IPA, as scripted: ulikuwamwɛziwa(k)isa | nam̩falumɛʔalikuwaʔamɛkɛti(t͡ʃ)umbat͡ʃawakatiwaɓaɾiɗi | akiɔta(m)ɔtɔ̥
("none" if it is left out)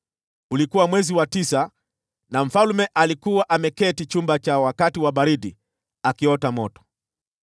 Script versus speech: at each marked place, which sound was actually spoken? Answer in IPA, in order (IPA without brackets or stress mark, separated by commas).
t, t͡ʃ, m